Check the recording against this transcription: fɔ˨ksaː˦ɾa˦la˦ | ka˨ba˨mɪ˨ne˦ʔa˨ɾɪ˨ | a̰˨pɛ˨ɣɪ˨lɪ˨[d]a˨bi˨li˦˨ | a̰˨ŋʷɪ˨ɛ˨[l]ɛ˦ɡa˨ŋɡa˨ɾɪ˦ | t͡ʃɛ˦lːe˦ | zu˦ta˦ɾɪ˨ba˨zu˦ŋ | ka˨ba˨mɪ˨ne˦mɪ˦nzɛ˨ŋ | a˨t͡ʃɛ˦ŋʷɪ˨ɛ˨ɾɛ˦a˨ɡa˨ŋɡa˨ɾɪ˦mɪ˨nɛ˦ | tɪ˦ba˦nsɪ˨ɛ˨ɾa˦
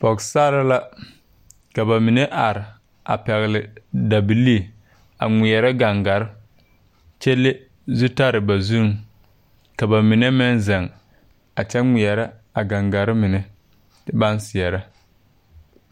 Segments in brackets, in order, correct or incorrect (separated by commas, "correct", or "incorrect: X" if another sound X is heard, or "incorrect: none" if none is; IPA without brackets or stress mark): correct, incorrect: ɾ